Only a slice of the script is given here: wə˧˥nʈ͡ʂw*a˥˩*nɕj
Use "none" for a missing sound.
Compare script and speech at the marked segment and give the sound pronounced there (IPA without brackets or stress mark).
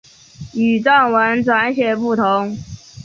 a˧˥